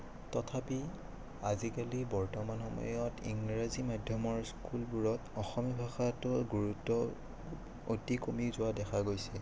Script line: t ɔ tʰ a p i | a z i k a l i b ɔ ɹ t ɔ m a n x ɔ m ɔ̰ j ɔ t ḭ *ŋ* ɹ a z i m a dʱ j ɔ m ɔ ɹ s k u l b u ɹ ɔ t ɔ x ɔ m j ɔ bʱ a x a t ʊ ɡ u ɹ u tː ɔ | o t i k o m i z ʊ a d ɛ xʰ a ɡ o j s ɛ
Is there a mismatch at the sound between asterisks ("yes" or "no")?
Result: no